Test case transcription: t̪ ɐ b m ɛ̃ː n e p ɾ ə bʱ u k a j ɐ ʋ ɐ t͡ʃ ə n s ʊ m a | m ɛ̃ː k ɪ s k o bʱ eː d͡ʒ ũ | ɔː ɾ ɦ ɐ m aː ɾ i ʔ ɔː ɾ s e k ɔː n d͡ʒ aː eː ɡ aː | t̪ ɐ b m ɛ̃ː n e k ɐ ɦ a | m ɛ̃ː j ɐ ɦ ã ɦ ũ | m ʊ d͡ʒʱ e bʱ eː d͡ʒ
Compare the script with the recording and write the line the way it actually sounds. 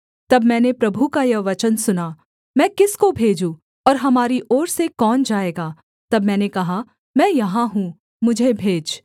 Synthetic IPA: t̪ ɐ b m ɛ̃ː n e p ɾ ɐ bʱ u k a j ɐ ʋ ɐ t͡ʃ ə n s ʊ n a | m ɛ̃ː k ɪ s k o bʱ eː d͡ʒ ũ | ɔː ɾ ɦ ɐ m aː ɾ i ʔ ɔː ɾ s e k ɔː n d͡ʒ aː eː ɡ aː | t̪ ɐ b m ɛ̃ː n e k ɐ ɦ a | m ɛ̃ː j ɐ ɦ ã ɦ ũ | m ʊ d͡ʒʱ e bʱ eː d͡ʒ